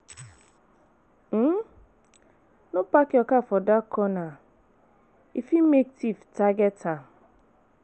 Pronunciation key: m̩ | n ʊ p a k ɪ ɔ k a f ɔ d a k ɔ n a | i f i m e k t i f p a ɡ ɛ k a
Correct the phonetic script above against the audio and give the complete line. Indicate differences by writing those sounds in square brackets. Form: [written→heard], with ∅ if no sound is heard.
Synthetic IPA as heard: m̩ | n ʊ p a k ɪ ɔ k a f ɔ d a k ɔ n a | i f i m e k t i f [p→t] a ɡ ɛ [k→t] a